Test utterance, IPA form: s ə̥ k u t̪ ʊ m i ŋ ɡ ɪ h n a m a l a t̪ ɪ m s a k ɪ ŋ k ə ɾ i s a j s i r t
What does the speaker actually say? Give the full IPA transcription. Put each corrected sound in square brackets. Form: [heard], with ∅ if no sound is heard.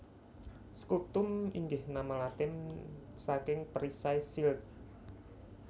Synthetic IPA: s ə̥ k u t̪ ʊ m i ŋ ɡ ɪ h n a m a l a t̪ ɪ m s a k ɪ ŋ [p] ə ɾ i s a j s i [l] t